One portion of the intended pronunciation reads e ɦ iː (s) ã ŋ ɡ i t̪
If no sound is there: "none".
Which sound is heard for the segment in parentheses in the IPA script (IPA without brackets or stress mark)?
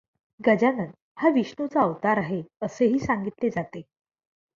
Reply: s